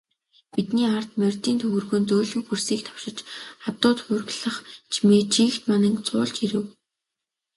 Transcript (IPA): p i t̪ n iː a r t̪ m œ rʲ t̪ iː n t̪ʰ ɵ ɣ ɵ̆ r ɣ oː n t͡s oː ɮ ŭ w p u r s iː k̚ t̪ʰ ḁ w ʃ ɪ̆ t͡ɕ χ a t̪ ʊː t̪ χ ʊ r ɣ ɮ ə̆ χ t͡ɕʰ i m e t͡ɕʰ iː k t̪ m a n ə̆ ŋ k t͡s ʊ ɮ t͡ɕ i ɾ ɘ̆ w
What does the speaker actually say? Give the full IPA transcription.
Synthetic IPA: p i t̪ n iː a r t̪ m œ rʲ t̪ iː n t̪ʰ ɵ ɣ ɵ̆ r ɣ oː n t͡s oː ɮ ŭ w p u r s iː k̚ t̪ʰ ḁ w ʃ ɪ̆ t͡ɕ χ a t̪ ʊː t̪ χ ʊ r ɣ ɮ ə̆ χ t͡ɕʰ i m e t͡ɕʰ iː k t̪ m a n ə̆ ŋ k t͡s ʊː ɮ t͡ɕ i ɾ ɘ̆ w

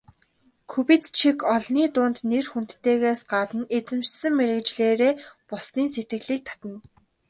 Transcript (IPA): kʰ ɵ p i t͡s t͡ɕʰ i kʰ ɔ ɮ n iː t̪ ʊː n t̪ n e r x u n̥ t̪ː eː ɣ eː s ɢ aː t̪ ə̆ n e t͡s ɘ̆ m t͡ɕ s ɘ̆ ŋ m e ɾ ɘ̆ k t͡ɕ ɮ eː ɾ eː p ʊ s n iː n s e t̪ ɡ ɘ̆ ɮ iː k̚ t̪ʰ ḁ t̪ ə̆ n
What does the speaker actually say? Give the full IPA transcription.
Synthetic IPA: kʰ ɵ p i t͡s t͡ɕʰ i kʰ ɔ ɮ n iː t̪ ʊː n t̪ n e r x u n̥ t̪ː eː ɣ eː s ɢ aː t̪ ə̆ n e t͡s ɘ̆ m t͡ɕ s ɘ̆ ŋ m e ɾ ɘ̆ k t͡ɕ ɮ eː ɾ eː p ʊ s n iː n s e t̪ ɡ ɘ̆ ɮ iː k̚ t̪ʰ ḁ t̪ ə̆ n

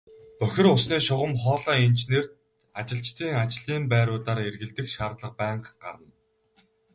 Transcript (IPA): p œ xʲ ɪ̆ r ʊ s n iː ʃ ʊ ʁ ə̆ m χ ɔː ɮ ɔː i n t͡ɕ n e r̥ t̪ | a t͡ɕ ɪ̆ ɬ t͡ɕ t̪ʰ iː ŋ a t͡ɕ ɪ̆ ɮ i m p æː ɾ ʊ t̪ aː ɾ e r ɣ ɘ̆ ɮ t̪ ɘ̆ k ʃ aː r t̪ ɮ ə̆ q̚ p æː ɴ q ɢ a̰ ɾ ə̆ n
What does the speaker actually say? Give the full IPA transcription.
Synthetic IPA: p œ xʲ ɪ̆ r ʊ s n iː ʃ ʊ ʁ ə̆ m χ ɔː ɮ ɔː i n t͡ɕ n e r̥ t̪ | a t͡ɕ ɪ̆ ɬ t͡ɕ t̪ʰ iː ŋ a t͡ɕ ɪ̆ ɮ iː m p æː ɾ ʊː t̪ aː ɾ e r ɣ ɘ̆ ɮ t̪ ɘ̆ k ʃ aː r t̪ ɮ ə̆ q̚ p æː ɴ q ɢ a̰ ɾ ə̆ n

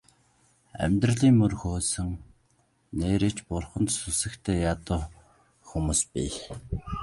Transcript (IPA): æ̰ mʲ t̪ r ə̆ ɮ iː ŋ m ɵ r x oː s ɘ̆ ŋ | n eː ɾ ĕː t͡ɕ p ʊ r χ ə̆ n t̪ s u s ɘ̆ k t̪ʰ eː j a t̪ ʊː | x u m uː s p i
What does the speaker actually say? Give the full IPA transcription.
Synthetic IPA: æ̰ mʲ t̪ r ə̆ ɮ iː ŋ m ɵ r x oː s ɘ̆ ŋ | n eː ɾ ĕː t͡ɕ p ʊ r χ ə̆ n t̪ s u s ɘ̆ k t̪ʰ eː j a t̪ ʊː | x u m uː s p i

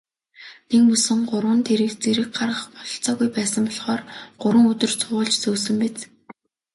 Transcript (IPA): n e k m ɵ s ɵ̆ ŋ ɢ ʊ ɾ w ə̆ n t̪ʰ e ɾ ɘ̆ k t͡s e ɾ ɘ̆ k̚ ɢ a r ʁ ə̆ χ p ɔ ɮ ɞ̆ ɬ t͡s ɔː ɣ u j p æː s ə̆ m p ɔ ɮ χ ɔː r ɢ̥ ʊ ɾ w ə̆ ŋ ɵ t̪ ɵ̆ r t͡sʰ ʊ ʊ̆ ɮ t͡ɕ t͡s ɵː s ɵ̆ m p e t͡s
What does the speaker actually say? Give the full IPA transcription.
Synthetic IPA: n e k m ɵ s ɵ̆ ŋ ɢ ʊ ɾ w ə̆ n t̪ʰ e ɾ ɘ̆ k t͡s e ɾ ɘ̆ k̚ ɢ a r ʁ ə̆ χ p ɔ ɮ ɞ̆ ɬ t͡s ɔː ɣ u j p æː s ə̆ m p ɔ ɮ χ ɔː r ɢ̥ ʊ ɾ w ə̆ ŋ ɵ t̪ ɵ̆ r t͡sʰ ʊ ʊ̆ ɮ t͡ɕ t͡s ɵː s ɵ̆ m p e t͡s

